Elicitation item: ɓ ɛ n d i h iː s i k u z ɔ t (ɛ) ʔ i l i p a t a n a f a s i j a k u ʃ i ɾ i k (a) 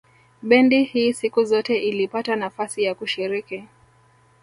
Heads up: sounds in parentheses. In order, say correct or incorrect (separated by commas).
correct, incorrect